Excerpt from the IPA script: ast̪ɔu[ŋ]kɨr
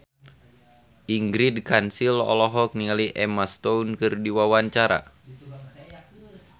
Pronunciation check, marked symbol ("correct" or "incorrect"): incorrect